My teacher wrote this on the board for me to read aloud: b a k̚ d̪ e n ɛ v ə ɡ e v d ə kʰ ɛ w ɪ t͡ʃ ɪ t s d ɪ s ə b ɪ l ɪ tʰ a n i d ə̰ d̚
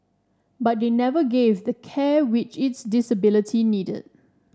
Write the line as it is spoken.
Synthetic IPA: b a t̚ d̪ e n ɛ v ə ɡ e v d ə kʰ ɛ w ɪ t͡ʃ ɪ t s d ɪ s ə b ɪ l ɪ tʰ i n i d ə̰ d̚